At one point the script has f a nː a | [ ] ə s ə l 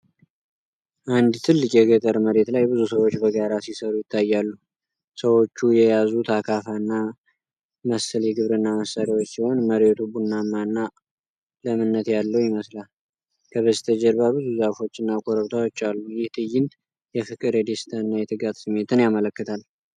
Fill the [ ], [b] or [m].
m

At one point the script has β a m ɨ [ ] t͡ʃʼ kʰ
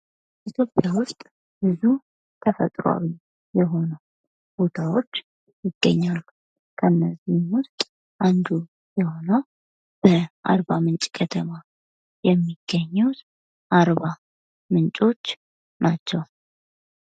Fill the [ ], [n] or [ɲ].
n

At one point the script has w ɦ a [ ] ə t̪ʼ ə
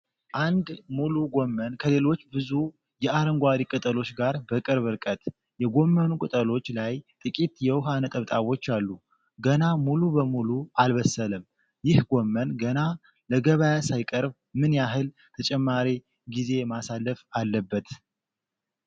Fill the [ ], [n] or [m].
n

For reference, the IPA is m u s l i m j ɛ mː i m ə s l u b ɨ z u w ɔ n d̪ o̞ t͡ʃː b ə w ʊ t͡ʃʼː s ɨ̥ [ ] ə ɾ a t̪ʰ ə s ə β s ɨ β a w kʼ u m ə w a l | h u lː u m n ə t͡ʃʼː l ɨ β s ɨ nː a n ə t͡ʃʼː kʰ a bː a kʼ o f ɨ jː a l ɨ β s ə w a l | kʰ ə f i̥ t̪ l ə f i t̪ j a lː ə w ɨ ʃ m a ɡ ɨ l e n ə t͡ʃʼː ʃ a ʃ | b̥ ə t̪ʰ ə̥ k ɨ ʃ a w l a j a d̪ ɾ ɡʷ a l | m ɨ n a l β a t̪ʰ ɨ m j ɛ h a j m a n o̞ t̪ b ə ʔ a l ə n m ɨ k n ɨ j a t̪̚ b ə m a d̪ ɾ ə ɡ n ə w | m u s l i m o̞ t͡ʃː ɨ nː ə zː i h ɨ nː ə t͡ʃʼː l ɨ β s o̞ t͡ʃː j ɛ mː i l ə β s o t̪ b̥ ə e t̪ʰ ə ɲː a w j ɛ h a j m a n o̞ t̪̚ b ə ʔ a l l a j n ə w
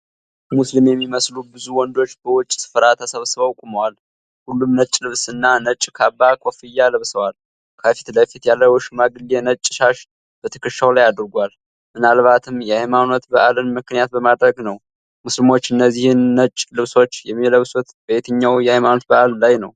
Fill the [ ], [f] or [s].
f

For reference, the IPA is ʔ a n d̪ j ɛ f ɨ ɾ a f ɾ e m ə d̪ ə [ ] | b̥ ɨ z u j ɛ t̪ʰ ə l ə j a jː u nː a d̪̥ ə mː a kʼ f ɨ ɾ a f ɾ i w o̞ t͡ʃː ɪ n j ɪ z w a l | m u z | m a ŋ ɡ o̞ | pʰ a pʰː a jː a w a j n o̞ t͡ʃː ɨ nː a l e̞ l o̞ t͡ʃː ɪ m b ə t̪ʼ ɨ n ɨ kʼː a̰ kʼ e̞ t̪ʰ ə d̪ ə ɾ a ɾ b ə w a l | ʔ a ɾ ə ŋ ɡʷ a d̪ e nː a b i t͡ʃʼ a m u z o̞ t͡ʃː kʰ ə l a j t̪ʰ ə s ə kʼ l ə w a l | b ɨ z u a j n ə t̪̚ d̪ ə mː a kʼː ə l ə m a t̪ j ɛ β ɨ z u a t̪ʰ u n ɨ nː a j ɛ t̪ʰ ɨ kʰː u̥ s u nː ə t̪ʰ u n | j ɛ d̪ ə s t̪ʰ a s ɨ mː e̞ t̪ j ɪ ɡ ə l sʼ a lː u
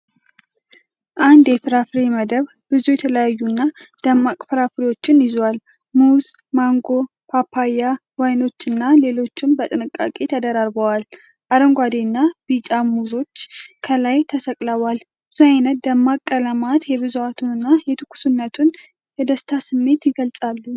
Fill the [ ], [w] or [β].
β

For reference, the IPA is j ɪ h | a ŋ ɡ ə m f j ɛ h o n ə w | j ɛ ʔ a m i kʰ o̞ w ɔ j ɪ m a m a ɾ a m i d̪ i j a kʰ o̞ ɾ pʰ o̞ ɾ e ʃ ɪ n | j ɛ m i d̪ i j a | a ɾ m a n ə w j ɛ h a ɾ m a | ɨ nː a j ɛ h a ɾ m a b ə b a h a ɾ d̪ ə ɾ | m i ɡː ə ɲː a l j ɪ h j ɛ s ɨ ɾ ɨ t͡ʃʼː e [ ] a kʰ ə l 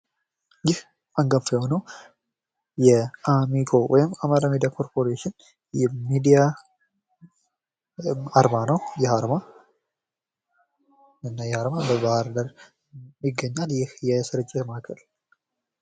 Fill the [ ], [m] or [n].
m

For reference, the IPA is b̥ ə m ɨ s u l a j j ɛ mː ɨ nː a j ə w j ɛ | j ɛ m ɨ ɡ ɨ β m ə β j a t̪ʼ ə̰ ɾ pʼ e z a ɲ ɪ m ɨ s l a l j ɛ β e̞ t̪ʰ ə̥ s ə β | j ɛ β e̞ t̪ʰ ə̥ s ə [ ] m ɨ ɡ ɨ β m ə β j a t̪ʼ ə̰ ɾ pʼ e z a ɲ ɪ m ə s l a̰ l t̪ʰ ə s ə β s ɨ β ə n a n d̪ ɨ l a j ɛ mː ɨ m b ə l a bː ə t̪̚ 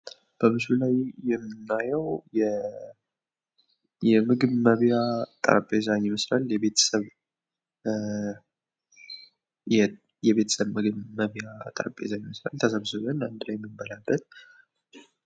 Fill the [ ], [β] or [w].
β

